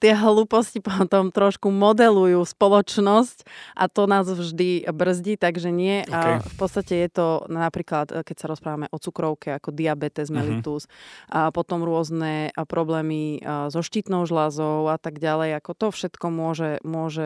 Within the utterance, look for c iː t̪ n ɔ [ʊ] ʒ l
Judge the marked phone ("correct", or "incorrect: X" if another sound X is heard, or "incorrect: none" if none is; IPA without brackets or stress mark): correct